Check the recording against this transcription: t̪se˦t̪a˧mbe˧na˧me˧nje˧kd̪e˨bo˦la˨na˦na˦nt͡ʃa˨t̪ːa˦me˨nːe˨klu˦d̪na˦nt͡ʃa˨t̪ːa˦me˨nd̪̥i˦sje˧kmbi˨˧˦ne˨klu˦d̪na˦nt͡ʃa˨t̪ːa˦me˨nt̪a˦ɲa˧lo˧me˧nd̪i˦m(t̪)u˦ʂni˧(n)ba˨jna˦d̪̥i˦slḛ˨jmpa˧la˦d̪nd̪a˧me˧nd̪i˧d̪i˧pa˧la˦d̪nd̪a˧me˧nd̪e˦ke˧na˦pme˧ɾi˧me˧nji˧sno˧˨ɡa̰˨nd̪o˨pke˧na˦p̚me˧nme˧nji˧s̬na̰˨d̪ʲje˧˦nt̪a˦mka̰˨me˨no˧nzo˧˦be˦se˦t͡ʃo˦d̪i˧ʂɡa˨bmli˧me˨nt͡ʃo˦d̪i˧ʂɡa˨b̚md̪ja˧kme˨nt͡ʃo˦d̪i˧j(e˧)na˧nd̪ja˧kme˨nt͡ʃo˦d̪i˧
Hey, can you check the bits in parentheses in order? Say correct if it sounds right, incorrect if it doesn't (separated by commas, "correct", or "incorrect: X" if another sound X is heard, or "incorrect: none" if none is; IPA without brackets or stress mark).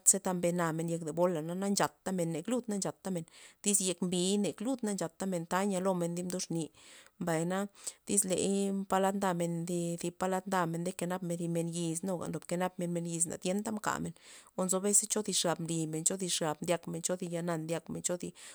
incorrect: d̪, incorrect: m, incorrect: a˧